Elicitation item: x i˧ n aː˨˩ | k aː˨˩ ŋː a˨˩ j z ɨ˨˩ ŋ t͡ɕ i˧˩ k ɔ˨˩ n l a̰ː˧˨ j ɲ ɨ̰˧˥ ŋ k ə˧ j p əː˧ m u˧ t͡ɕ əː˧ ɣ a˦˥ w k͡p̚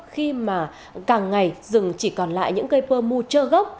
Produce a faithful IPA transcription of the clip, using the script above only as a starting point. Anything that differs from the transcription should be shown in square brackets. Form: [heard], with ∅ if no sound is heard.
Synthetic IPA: x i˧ [m] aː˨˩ | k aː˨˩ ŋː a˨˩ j z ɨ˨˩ ŋ t͡ɕ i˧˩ k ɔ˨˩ n l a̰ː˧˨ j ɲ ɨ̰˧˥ ŋ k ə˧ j p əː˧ m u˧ t͡ɕ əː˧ ɣ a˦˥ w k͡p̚